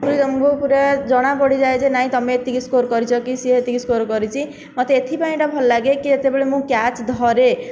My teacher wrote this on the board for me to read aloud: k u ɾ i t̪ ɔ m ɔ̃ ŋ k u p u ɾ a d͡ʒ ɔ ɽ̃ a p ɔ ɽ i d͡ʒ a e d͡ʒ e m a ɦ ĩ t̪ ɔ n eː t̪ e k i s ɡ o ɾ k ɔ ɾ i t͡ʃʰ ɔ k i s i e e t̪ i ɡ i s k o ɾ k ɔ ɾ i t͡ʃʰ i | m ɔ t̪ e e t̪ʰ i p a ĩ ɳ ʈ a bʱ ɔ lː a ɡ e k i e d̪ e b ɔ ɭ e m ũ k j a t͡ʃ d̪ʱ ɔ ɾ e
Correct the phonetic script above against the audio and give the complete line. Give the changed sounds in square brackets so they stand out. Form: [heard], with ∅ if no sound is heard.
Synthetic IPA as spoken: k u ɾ i t̪ ɔ m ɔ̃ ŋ k u p u ɾ a d͡ʒ ɔ ɽ̃ a p ɔ ɽ i d͡ʒ a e d͡ʒ e [n] a ɦ ĩ t̪ ɔ [m] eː t̪ [i] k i s [k] o ɾ k ɔ ɾ i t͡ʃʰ ɔ k i s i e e t̪ i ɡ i s k o ɾ k ɔ ɾ i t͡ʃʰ i | m ɔ t̪ e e t̪ʰ i p a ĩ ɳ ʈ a bʱ ɔ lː a ɡ e k i e [t̪] e b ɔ ɭ e m ũ k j a t͡ʃ d̪ʱ ɔ ɾ e